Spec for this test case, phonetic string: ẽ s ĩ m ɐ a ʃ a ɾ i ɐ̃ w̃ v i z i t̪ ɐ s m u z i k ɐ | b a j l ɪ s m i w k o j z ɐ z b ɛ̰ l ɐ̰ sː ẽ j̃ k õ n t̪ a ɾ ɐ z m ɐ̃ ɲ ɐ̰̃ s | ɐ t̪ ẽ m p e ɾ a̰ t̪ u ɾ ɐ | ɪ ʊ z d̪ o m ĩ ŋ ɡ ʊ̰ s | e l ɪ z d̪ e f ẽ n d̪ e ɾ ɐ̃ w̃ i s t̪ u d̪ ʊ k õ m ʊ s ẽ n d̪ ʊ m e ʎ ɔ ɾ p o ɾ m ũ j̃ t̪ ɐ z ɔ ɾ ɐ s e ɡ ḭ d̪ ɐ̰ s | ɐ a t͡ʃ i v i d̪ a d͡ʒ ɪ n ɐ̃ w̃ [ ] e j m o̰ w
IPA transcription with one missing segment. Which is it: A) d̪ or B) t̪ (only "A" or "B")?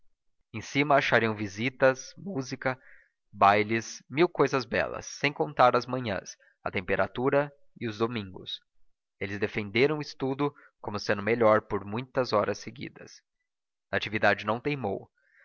B